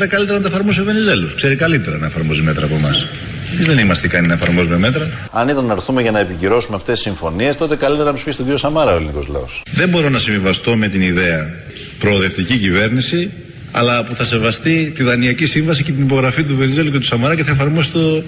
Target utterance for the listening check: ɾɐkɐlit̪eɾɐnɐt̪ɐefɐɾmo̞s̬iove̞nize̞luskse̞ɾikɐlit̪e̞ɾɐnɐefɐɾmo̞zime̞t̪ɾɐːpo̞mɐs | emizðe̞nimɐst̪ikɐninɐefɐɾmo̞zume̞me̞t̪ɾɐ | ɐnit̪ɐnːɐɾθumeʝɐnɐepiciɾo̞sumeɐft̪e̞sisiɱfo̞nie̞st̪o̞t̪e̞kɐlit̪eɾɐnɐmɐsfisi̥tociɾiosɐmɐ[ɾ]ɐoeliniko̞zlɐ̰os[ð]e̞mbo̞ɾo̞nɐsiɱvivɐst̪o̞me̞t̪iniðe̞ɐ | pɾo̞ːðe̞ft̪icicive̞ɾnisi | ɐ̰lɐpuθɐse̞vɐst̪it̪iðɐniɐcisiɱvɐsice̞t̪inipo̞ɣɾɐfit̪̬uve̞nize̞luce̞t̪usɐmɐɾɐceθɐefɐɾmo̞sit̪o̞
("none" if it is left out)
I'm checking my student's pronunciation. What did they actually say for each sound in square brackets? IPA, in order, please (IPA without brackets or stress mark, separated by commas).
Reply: ɾ, ð